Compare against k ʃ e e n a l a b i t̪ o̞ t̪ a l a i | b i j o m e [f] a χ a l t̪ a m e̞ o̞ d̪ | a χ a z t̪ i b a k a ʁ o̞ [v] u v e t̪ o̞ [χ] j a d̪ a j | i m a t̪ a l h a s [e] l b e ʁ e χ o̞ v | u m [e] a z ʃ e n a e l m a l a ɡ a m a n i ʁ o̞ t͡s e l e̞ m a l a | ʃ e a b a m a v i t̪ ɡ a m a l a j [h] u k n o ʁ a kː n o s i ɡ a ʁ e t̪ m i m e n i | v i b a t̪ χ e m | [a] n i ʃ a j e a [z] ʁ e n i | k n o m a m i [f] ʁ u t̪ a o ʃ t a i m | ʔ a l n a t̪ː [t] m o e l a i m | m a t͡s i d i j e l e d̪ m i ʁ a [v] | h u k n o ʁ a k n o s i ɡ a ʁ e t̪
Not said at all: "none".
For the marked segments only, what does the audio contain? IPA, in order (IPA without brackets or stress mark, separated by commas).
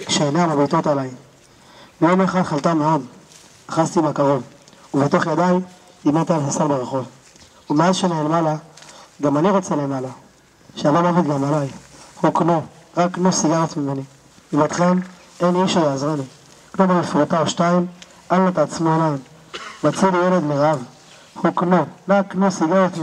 χ, v, χ, a, e, h, e, z, f, t͡s, v